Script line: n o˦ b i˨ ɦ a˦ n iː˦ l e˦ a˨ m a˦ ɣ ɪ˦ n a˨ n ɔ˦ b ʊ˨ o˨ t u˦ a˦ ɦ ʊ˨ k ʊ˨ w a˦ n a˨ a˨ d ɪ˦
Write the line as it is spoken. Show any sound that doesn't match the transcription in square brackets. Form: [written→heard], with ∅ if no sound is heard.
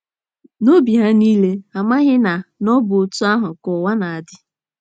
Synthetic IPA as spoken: n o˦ b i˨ ɦ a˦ n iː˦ l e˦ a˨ m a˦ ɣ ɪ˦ n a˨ n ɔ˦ b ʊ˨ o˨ t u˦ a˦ ɦ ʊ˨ k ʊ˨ w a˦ n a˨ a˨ d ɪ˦